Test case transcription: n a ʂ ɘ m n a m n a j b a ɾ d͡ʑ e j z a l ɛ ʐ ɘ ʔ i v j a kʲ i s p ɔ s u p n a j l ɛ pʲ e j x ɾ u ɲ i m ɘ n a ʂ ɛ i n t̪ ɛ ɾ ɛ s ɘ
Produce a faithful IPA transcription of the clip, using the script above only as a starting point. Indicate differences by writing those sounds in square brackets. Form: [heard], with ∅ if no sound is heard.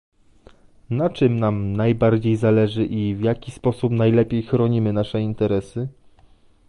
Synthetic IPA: n a [t͡ʂ] ɘ m n a m n a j b a ɾ d͡ʑ e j z a l ɛ ʐ ɘ ʔ i v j a kʲ i s p ɔ s u p n a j l ɛ pʲ e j x ɾ [ɔ] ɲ i m ɘ n a ʂ ɛ i n t̪ ɛ ɾ ɛ s ɘ